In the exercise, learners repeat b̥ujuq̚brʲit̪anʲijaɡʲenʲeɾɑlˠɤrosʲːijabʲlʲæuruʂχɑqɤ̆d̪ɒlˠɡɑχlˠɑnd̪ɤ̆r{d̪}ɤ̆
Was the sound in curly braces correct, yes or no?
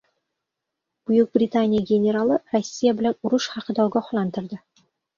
yes